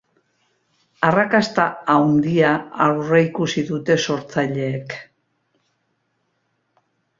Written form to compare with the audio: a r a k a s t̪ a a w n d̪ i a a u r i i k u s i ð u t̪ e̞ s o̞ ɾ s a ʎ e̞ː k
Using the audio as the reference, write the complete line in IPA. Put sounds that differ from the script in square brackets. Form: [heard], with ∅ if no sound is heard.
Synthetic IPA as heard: a r a k a s t̪ a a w n d̪ i a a [w] r [e] i k u s i ð u t̪ e̞ s o̞ ɾ [t͡s] a ʎ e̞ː k